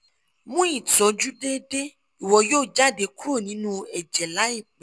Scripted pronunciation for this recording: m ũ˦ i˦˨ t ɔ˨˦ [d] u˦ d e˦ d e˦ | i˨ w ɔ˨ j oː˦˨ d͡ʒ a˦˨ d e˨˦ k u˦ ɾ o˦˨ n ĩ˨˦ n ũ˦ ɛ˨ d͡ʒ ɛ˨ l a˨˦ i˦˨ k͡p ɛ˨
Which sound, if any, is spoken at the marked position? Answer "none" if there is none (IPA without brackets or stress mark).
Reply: d͡ʒ